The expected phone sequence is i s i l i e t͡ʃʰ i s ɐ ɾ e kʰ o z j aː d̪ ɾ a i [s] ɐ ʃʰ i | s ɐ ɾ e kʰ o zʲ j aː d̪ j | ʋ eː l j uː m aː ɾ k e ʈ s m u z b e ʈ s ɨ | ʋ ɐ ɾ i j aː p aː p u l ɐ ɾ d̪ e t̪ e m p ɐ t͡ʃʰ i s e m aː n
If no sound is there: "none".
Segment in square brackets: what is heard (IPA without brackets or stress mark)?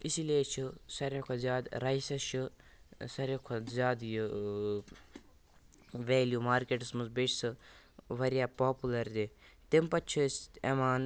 s